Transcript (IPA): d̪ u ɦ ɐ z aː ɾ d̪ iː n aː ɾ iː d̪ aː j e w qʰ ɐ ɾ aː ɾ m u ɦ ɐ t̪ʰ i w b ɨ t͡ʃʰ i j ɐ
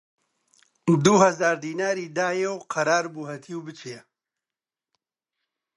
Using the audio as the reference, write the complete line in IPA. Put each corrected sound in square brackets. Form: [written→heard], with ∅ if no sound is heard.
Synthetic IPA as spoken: d̪ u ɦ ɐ z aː ɾ d̪ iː n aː ɾ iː d̪ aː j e w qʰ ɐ ɾ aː ɾ [m→b] u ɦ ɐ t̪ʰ i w b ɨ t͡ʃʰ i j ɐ